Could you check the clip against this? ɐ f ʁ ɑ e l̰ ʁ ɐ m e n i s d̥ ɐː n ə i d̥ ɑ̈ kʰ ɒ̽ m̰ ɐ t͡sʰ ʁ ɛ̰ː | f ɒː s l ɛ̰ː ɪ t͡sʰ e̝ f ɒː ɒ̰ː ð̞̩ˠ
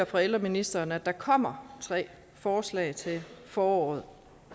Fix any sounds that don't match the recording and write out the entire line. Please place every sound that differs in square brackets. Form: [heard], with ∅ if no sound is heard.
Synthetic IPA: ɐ f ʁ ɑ e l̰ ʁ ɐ m [i] n i s d̥ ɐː n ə [æ] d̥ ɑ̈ kʰ ɒ̽ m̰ ɐ t͡sʰ ʁ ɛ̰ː | f ɒː s l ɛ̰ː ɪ t͡sʰ e̝ f ɒː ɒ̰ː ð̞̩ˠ

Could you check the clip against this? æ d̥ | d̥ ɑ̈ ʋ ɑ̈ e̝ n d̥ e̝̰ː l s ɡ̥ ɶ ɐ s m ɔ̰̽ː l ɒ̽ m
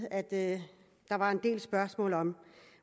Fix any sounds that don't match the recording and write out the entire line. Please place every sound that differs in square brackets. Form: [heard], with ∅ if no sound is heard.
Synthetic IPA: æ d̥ | d̥ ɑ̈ ʋ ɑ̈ e̝ n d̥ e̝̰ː l s [b̥] ɶ ɐ s m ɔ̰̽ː l ɒ̽ m

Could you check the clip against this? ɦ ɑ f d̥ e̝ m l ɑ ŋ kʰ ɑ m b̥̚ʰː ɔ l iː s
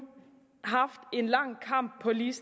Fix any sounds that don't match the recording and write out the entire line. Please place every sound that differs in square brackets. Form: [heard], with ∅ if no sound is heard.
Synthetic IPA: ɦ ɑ f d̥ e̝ [n] l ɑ ŋ kʰ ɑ m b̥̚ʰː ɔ l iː s

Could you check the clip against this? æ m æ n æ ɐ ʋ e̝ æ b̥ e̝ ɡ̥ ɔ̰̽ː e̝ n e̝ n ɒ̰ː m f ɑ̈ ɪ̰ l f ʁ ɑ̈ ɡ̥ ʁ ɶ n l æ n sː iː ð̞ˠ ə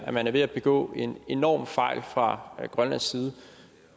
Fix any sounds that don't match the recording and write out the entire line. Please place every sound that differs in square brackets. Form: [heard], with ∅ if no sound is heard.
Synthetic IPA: æ m æ n æ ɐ ʋ e̝ æ b̥ e̝ ɡ̥ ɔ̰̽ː e̝ n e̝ n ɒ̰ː m f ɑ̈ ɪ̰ l f ʁ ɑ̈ ɡ̥ ʁ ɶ n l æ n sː iː ð̞ˠ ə

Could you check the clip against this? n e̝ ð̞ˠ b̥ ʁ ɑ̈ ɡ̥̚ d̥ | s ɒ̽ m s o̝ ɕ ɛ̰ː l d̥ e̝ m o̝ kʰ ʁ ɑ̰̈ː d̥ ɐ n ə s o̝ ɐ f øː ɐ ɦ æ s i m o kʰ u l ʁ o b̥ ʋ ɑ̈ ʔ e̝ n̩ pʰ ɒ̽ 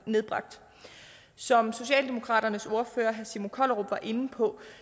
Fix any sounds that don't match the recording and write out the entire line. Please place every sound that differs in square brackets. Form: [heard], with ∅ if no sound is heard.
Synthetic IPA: n e̝ ð̞ˠ b̥ ʁ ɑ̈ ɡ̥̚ d̥ | s ɒ̽ m s o̝ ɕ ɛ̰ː l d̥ e̝ m o̝ kʰ ʁ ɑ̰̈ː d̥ ɐ n ə s o̝ ɐ f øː ɐ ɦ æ s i m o kʰ [ɒ] l ʁ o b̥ ʋ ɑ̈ ʔ e̝ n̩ pʰ ɒ̽

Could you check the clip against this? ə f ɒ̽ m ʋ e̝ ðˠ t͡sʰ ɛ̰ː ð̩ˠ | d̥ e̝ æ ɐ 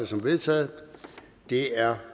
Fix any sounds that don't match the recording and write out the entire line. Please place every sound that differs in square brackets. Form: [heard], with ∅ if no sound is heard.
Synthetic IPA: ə [s] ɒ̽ m ʋ e̝ ðˠ t͡sʰ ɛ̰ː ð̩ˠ | d̥ e̝ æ ɐ

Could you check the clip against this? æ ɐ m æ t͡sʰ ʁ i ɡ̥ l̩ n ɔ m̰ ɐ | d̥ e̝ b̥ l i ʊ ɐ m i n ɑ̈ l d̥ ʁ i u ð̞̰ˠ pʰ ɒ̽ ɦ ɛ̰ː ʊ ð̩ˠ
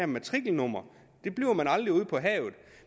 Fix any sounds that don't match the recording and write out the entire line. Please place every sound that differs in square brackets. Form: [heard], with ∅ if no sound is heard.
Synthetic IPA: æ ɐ m æ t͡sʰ ʁ i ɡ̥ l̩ n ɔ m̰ ɐ | d̥ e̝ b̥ l i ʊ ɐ m [æ] n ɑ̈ l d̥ ʁ i u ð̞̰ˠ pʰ ɒ̽ ɦ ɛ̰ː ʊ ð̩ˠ

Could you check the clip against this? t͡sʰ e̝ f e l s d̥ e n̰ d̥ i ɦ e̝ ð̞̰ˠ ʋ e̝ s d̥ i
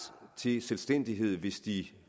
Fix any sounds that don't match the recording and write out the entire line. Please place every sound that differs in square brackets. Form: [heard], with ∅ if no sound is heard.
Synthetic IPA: t͡sʰ e̝ [s] e l s d̥ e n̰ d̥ i ɦ e̝ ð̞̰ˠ ʋ e̝ s d̥ i

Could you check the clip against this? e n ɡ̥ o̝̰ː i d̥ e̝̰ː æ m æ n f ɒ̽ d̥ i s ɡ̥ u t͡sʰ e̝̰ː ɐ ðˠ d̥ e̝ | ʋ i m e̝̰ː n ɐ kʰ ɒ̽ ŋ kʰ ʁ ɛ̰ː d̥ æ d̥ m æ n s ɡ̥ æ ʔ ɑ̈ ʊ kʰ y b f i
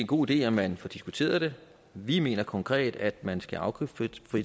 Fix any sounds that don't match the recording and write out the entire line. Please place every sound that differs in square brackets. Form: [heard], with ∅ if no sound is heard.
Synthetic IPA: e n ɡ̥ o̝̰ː i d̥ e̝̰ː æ m æ n f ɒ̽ d̥ i s ɡ̥ u t͡sʰ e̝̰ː ɐ ðˠ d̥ e̝ | ʋ i m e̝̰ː n ɐ kʰ ɒ̽ ŋ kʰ ʁ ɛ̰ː d̥ æ d̥ m æ n s ɡ̥ æ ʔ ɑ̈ ʊ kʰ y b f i

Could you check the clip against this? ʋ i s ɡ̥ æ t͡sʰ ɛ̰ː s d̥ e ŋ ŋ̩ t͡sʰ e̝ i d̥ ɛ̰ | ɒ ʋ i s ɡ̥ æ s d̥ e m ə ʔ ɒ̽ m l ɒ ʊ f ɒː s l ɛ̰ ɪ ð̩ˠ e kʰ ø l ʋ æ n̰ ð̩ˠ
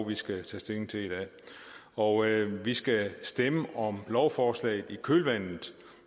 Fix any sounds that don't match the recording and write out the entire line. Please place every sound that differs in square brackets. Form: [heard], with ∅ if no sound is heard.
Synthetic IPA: ʋ i s ɡ̥ æ t͡sʰ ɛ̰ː s d̥ e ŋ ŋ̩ t͡sʰ e̝ i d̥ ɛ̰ | ɒ ʋ i s ɡ̥ æ s d̥ e m ə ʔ ɒ̽ m l ɒ ʊ f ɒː s l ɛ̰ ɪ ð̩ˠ [i] kʰ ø l ʋ æ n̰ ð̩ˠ

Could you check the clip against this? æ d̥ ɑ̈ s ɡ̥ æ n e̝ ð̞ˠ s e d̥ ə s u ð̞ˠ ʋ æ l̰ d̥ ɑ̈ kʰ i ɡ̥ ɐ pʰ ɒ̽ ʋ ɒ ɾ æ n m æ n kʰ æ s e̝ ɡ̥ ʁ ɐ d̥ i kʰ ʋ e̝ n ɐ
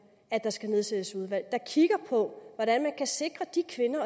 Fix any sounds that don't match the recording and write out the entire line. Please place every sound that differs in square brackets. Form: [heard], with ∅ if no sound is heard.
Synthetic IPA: æ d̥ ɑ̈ s ɡ̥ æ n e̝ ð̞ˠ s e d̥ ə s u ð̞ˠ ʋ æ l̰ d̥ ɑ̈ kʰ i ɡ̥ ɐ pʰ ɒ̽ ʋ ɒ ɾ æ n m æ n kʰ æ s e̝ ɡ̥ ʁ ɐ d̥ i kʰ ʋ e̝ n ɐ

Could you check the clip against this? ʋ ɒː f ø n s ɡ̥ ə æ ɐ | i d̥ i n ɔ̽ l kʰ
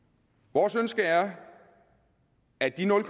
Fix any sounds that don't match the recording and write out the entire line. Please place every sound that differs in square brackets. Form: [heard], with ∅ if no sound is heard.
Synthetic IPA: ʋ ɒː [s] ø n s ɡ̥ ə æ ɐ | [æ] d̥ i n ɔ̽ l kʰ

